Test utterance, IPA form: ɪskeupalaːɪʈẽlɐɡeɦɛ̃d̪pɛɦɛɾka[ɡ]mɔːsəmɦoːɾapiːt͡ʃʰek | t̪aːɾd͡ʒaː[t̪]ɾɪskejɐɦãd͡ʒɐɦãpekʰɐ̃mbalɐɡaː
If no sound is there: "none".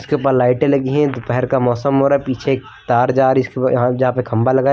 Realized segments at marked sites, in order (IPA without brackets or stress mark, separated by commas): none, none